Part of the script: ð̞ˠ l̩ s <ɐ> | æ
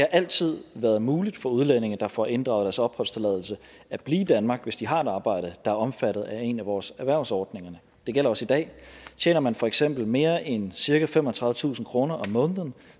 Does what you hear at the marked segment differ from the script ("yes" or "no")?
yes